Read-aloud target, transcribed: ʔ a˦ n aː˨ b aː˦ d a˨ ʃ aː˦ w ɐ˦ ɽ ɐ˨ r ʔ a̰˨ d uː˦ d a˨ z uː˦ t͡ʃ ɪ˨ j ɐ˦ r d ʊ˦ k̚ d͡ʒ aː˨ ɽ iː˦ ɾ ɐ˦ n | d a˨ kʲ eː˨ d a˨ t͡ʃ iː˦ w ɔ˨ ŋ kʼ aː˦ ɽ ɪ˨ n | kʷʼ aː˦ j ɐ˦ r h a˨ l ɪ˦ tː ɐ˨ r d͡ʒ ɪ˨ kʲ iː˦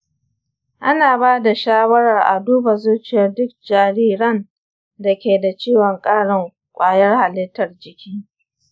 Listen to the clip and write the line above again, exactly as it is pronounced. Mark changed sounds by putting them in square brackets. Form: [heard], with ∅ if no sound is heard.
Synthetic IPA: ʔ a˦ n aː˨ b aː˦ d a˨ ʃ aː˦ w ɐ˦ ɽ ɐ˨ r ʔ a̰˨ d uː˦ [b] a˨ z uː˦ t͡ʃ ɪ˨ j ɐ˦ r d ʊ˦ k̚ d͡ʒ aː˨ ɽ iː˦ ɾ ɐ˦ n | d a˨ kʲ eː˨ d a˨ t͡ʃ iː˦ w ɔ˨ ŋ kʼ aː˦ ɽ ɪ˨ [ŋ] | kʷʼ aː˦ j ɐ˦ r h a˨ l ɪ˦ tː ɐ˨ r d͡ʒ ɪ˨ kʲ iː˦